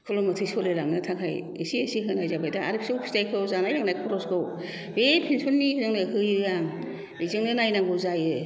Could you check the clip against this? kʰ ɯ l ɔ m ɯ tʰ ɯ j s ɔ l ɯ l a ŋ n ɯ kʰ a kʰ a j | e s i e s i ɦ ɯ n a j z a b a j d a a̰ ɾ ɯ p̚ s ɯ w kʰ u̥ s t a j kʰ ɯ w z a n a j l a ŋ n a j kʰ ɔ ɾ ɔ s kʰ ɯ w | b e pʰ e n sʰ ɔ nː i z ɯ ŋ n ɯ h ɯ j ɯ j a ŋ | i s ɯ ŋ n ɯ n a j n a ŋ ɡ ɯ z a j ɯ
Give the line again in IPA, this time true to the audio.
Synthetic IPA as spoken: kʰ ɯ l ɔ m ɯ tʰ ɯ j s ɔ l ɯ l a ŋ n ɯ tʰ a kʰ a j | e s i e s i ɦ ɯ n a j z a b a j d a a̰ ɾ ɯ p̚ s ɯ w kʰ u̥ s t a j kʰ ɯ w z a n a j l a ŋ n a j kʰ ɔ ɾ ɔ s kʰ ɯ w | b e pʰ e n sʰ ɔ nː i z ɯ ŋ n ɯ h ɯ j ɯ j a ŋ | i z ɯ ŋ n ɯ n a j n a ŋ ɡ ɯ z a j ɯ